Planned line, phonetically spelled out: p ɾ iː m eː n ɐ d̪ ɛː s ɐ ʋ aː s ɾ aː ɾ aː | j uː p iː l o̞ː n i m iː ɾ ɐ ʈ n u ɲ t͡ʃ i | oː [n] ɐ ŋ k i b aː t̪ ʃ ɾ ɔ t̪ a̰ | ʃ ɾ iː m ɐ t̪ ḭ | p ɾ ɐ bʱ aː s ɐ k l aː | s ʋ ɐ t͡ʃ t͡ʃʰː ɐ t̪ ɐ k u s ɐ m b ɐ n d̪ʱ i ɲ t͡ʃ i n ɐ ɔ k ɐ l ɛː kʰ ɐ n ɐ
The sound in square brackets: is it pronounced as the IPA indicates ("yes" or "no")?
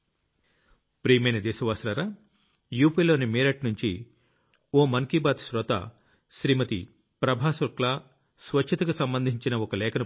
no